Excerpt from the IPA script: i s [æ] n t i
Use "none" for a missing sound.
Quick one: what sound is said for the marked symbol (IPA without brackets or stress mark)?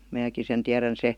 e